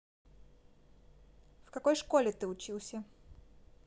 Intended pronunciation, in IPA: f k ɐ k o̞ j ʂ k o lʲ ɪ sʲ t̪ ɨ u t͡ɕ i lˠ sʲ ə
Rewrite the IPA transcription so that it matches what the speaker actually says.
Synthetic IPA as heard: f k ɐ k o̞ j ʂ k o lʲ ɪ t̪ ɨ ʊ t͡ɕ i lˠ sʲ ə